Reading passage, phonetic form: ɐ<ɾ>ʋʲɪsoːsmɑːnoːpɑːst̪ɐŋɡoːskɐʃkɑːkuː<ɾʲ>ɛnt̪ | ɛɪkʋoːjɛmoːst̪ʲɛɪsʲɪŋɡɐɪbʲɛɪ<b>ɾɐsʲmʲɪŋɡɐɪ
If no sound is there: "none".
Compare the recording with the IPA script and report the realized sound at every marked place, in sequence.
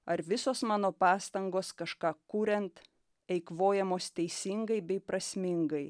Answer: ɾ, ɾʲ, p

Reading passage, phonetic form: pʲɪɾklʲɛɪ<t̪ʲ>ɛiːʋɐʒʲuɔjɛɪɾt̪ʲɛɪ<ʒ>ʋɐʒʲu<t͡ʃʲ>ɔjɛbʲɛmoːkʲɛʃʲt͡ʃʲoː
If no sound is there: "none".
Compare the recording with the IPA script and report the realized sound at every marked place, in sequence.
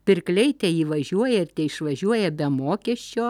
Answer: t̪ʲ, ʃ, none

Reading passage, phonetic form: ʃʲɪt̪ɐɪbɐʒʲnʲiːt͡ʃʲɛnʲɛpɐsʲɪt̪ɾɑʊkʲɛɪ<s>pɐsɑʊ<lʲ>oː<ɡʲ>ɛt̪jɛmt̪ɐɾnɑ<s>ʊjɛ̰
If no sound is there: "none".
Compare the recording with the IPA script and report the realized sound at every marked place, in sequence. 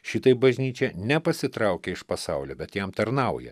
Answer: ʃ, lʲ, bʲ, none

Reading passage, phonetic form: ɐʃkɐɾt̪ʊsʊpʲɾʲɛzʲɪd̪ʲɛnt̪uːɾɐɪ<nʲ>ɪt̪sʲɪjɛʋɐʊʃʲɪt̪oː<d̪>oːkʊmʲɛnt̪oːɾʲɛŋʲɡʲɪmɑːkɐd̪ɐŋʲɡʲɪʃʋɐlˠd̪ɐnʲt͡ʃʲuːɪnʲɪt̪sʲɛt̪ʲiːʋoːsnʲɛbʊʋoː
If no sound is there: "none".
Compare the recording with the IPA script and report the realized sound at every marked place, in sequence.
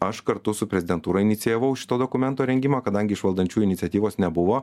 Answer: nʲ, d̪

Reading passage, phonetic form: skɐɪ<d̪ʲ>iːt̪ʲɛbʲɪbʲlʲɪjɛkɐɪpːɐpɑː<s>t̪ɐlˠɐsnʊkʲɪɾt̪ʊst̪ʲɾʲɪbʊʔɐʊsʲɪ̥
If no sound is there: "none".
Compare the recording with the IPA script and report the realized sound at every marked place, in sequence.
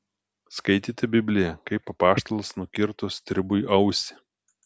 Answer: t̪ʲ, ʃ

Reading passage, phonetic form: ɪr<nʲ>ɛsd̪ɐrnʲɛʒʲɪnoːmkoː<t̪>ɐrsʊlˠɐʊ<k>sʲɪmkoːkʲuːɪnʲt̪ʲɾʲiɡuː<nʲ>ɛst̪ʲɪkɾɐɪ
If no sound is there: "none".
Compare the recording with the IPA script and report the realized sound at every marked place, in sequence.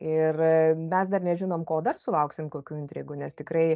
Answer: mʲ, d̪, k, nʲ

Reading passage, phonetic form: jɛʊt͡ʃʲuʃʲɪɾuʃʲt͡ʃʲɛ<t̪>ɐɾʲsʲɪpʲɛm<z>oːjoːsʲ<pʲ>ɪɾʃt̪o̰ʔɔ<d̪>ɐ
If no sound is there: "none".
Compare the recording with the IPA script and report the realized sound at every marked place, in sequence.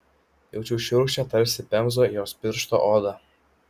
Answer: t̪, z, pʲ, d̪

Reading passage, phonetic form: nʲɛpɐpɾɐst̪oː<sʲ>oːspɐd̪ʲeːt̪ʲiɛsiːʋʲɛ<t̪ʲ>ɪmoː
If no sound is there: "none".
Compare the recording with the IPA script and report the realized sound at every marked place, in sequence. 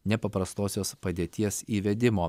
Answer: sʲ, d̪ʲ

